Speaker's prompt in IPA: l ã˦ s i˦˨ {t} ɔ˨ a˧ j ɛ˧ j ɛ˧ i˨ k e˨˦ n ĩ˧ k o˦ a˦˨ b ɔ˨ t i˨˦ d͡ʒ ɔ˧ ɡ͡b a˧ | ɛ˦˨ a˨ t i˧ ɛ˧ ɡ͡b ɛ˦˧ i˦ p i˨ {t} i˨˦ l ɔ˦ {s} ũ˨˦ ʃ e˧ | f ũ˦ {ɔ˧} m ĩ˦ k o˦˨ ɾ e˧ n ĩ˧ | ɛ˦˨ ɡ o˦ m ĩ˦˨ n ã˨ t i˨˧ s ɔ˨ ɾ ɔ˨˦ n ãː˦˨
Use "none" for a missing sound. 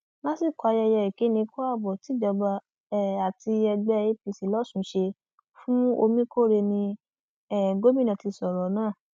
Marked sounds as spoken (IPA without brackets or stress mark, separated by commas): k, s, s, o˧